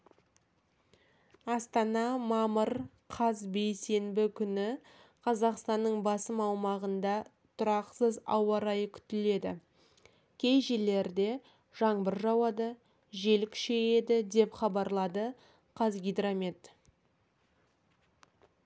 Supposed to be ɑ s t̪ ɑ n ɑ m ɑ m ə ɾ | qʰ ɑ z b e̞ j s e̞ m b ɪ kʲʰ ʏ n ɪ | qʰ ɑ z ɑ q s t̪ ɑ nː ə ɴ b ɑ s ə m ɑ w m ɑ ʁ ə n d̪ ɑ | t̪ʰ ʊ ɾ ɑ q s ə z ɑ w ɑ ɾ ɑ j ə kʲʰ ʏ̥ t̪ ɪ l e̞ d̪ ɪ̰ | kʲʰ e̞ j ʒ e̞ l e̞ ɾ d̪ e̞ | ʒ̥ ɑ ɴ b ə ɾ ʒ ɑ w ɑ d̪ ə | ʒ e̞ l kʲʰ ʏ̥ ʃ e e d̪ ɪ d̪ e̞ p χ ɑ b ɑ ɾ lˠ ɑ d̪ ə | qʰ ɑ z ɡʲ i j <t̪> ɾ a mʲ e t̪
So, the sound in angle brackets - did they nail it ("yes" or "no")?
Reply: no